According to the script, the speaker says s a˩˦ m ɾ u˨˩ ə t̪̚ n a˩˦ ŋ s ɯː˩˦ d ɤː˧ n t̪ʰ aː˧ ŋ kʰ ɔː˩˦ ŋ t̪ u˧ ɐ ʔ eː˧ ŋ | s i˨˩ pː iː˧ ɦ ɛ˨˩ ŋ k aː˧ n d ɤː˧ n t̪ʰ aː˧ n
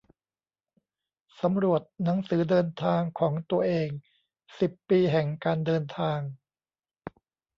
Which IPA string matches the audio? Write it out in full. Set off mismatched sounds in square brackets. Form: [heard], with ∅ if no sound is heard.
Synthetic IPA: s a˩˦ m ɾ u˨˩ ə t̪̚ n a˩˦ ŋ s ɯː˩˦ d ɤː˧ n t̪ʰ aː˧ ŋ kʰ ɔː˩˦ ŋ t̪ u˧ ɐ ʔ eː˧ ŋ | s i˨˩ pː iː˧ ɦ ɛ˨˩ ŋ k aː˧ n d ɤː˧ n t̪ʰ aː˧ [ŋ]